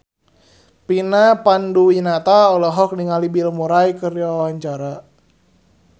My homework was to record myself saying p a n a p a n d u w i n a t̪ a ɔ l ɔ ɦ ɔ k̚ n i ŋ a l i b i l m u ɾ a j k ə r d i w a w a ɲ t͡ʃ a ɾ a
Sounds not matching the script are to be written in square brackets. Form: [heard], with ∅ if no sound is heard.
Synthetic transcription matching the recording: p [i] n a p a n d u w i n a t̪ a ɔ l ɔ ɦ ɔ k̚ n i ŋ a l i b i l m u ɾ a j k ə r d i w a w a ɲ t͡ʃ a ɾ a